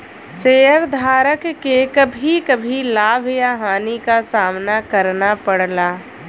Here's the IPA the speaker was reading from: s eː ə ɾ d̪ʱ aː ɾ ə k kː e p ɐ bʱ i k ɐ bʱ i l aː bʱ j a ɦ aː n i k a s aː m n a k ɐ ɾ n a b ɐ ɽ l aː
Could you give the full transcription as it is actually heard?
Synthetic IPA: s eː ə ɾ d̪ʱ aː ɾ ə k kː e k ɐ bʱ i k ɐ bʱ i l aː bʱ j a ɦ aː n i k a s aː m n a k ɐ ɾ n a p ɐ ɽ l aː

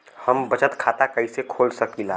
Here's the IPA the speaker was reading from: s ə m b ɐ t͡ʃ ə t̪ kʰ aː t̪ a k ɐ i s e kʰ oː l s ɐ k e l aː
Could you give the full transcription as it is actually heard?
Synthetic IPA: h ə m b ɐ t͡ʃ ə t̪ kʰ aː t̪ a k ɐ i s e kʰ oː l s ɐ k i l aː

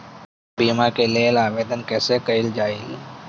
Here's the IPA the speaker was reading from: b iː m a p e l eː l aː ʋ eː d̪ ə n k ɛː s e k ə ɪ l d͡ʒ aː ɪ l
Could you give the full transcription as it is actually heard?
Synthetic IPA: b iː m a k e l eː l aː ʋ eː d̪ ə n k ɛː s e k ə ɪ l d͡ʒ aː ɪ l

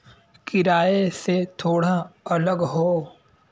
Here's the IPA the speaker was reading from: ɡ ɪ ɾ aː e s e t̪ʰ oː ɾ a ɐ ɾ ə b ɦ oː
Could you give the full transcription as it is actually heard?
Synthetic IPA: k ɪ ɾ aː e s e t̪ʰ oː ɽ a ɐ l ə ɡ ɦ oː

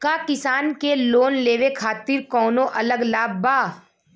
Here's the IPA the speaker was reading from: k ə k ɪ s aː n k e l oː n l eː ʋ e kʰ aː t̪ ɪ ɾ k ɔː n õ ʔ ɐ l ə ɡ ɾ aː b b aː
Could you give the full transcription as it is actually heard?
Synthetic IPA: k a k ɪ s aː n k e l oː n l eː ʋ e kʰ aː t̪ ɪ ɾ k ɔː n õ ʔ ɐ l ə ɡ l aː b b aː

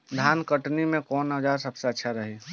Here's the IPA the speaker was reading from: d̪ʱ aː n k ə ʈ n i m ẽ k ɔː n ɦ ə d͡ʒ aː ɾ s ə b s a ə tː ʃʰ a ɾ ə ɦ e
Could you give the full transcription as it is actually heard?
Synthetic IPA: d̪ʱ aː n k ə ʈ n i m ẽ k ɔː n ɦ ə d͡ʒ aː ɾ s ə b s e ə tː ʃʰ a ɾ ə ɦ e

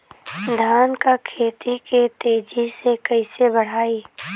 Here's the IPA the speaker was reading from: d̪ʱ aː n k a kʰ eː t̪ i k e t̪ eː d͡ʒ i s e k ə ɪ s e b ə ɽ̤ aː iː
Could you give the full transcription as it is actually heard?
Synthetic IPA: d̪ʱ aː n k a kʰ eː t̪ i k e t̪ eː d͡ʒ i s e k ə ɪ s e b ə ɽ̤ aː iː

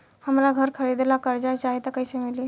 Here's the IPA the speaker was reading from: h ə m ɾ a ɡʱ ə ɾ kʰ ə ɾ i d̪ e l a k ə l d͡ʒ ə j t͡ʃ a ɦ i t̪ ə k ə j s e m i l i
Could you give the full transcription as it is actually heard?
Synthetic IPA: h ə m ɾ a ɡʱ ə ɾ kʰ ə ɾ i d̪ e l a k ə ɾ d͡ʒ a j t͡ʃ a ɦ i t̪ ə k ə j s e m i l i

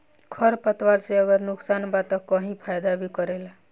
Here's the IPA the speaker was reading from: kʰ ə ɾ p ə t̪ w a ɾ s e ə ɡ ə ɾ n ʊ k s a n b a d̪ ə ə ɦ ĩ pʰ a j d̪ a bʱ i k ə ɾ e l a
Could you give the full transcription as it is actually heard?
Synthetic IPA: kʰ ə ɾ p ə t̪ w a ɾ s e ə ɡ ə ɾ n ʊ k s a n b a t̪ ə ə ɦ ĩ pʰ a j d̪ a bʱ i k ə ɾ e l a

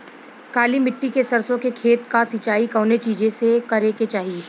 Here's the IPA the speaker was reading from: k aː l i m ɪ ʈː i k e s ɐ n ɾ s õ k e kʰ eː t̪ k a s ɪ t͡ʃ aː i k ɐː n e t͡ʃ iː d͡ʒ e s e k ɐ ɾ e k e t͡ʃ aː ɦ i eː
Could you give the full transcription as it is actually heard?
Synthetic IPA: k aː l i m ɪ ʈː i k e s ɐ ɾ s õ k e kʰ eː t̪ k a s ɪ t͡ʃ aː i k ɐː n e t͡ʃ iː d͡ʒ e s e k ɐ ɾ e k e t͡ʃ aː ɦ i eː

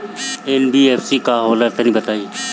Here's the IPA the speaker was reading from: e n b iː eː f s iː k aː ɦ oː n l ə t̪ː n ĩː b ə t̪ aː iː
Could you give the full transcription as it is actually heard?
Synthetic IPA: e n b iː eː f s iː k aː ɦ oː l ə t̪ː n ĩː b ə t̪ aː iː

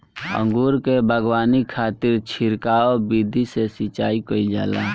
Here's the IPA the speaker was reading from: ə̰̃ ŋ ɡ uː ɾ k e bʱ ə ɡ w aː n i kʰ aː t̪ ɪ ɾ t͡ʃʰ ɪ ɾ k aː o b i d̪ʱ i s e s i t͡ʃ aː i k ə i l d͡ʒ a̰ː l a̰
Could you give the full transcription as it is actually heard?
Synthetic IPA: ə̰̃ ŋ ɡ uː ɾ k e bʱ ə ɡ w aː n i kʰ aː t̪ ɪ ɾ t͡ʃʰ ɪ ɾ k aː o b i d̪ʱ i s e s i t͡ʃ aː i k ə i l d͡ʒ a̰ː l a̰

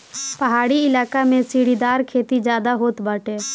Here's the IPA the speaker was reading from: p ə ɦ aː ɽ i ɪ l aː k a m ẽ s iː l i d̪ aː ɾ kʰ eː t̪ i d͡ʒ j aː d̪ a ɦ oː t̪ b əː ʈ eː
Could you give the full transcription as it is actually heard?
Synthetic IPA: p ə ɦ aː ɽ i ɪ l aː k a m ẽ s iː ɽ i d̪ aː ɾ kʰ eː t̪ i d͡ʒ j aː d̪ a ɦ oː t̪ b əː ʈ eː

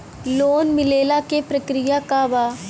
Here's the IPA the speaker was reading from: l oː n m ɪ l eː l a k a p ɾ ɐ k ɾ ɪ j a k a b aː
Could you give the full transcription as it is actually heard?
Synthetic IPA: l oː n m ɪ l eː l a k e p ɾ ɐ k ɾ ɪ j a k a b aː

